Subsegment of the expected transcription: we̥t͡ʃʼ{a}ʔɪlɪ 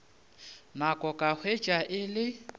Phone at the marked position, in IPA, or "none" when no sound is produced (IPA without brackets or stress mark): a